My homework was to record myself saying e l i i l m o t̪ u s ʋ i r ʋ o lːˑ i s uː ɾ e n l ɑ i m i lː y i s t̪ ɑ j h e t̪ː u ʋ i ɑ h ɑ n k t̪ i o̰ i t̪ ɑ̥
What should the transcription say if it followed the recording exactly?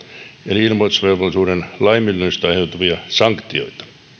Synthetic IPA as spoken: e l i i l m o t̪ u s ʋ e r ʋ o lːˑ i s uː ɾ e n l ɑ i m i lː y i s t̪ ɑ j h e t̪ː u ʋ i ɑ s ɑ ŋ k t̪ i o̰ i t̪ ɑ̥